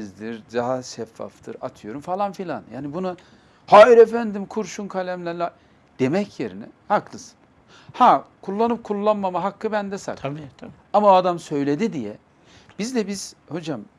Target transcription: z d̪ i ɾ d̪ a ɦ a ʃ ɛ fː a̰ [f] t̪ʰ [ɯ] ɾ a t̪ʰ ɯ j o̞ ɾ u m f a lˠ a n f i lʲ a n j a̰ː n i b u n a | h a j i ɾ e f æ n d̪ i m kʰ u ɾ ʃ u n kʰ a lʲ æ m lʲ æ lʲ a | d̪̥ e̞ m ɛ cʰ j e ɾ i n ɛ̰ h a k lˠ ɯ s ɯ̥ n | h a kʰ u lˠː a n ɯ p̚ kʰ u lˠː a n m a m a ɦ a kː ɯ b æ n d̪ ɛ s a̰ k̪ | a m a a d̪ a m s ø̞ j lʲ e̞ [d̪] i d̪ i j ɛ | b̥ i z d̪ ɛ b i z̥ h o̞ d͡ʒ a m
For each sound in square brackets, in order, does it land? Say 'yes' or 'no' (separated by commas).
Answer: yes, yes, yes